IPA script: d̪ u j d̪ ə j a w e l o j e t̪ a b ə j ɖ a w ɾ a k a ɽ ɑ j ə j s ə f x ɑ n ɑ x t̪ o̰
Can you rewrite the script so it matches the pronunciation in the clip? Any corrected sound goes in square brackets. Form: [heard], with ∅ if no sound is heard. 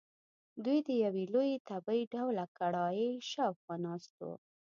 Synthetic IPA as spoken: d̪ u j d̪ ə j a w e l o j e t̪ a b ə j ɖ a w [l] a k a ɽ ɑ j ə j [ʃ] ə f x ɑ n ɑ [s] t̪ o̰